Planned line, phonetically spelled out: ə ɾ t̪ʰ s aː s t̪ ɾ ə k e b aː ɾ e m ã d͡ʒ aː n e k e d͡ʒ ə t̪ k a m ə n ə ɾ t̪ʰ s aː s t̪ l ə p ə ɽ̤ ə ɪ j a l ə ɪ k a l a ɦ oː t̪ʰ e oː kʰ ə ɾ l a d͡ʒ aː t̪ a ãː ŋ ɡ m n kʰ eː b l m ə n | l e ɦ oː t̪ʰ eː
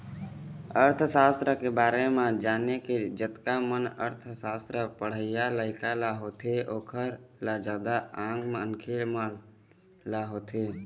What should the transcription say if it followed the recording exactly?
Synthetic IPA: ə ɾ t̪ʰ s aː s t̪ ɾ ə k e b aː ɾ e m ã d͡ʒ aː n e k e d͡ʒ ə t̪ k a m ə n ə ɾ t̪ʰ s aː s t̪ ɾ ə p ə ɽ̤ ə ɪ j a l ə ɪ k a l a ɦ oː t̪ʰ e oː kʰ ə ɾ l a d͡ʒ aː d̪ a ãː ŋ ɡ m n kʰ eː l m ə n | l a ɦ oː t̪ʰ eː